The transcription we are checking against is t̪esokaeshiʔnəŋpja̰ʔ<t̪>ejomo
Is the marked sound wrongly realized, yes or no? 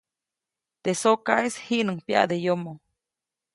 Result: yes